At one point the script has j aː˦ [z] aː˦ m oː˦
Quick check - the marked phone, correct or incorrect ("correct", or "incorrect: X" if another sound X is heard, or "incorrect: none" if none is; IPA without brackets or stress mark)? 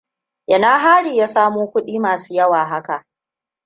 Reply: incorrect: s